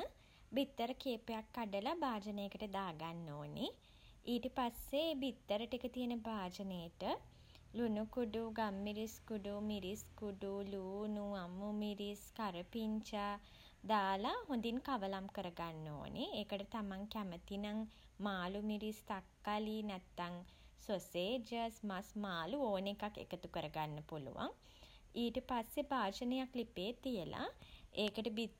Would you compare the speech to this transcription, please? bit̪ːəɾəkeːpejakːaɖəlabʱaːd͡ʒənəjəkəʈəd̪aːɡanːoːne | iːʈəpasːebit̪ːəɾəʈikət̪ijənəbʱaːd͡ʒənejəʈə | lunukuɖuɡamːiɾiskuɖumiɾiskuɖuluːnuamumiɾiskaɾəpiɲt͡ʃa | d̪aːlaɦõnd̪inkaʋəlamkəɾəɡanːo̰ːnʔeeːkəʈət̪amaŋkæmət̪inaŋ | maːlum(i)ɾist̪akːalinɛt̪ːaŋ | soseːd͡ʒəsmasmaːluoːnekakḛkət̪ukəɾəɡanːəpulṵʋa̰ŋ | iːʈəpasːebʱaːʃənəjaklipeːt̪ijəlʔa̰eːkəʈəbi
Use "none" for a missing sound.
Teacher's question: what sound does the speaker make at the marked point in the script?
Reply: i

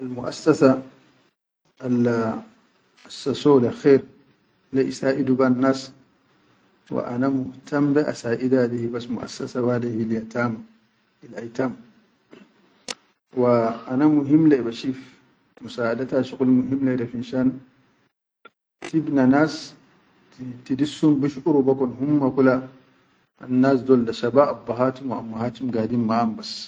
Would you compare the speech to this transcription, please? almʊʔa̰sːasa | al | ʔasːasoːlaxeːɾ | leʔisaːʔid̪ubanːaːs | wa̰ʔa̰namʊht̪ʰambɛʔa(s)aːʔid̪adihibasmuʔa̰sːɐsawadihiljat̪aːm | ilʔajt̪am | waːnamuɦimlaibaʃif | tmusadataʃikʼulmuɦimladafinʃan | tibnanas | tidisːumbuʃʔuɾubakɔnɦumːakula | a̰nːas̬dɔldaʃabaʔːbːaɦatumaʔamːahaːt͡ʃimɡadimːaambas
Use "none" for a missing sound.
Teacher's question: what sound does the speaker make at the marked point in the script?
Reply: s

